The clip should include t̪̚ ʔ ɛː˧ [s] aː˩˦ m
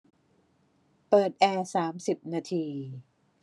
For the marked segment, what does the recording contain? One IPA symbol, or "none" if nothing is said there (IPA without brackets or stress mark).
s